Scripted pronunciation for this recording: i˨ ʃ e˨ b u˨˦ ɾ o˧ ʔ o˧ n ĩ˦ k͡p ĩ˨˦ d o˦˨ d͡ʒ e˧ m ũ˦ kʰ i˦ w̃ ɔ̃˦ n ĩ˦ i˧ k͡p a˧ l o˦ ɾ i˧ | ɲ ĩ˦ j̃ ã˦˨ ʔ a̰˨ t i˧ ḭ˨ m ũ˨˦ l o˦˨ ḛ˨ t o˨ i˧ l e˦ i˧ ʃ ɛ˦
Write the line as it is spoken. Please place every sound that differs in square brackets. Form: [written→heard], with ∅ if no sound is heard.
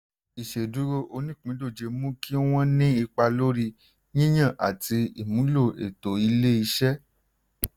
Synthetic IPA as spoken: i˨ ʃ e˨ [b→d] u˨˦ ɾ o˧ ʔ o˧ n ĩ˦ k͡p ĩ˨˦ d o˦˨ d͡ʒ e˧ m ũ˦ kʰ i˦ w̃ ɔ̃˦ n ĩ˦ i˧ k͡p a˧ l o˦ ɾ i˧ | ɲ ĩ˦ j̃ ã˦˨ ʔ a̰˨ t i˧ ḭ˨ m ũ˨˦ l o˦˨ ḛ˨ t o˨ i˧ l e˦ i˧ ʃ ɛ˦

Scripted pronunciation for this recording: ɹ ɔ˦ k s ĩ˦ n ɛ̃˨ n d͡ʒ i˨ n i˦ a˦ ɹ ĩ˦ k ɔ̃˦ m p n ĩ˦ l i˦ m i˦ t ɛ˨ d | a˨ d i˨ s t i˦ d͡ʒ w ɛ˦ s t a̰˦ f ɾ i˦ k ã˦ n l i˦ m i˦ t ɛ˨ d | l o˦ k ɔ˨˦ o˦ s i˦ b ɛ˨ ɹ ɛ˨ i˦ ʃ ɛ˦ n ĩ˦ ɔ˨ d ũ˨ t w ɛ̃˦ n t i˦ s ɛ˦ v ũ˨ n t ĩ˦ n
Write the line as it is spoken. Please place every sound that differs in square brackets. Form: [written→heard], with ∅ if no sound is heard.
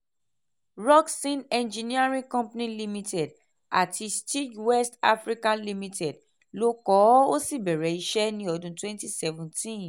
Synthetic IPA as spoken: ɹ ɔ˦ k s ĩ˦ n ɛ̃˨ n d͡ʒ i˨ n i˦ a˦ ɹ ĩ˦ k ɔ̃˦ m p n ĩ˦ l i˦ m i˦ t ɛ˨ d | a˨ [d→t] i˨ s t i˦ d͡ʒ w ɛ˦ s t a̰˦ f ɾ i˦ k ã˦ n l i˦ m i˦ t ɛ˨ d | l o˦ k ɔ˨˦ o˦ s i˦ b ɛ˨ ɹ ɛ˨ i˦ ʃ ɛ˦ n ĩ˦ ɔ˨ d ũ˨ t w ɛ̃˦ n t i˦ s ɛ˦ v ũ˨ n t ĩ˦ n

